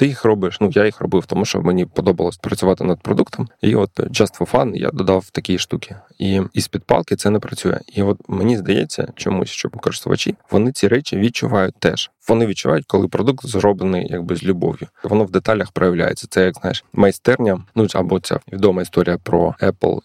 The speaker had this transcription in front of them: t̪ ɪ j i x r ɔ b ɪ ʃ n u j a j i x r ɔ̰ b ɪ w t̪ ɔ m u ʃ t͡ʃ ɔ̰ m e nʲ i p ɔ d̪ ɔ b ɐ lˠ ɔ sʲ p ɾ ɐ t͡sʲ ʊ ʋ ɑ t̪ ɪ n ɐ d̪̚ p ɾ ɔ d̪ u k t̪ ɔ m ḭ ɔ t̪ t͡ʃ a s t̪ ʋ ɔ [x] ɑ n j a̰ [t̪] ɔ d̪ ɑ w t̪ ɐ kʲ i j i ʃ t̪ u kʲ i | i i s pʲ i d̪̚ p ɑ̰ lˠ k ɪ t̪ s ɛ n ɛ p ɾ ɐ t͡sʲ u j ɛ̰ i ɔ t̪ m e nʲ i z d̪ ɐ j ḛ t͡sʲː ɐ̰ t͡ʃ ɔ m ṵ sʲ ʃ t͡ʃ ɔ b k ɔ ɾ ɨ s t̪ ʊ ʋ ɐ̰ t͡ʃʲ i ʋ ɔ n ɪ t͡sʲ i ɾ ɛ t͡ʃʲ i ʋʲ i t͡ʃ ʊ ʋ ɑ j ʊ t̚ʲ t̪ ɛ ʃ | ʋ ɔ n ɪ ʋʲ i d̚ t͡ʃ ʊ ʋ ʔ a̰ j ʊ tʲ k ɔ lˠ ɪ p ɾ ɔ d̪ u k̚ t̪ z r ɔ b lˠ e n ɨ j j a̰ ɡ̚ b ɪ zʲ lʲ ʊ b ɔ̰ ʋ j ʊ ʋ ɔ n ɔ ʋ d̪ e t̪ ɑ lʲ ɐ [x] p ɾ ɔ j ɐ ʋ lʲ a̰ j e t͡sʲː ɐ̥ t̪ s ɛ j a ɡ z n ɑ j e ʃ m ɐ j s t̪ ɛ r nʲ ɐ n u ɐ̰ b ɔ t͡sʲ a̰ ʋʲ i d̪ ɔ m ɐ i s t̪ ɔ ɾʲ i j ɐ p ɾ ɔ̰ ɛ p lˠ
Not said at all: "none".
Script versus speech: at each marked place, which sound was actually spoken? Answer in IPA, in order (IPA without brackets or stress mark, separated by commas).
f, d̪, x